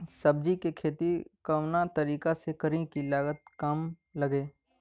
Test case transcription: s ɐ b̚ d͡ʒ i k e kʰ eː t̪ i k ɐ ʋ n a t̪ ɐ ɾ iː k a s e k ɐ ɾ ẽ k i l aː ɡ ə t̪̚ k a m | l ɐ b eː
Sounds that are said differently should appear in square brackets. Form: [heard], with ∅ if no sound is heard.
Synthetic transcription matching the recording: s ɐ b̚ d͡ʒ i k e kʰ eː t̪ i k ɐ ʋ n a t̪ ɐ ɾ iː k a s e k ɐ ɾ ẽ k i l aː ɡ ə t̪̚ k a m | l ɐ [ɡ] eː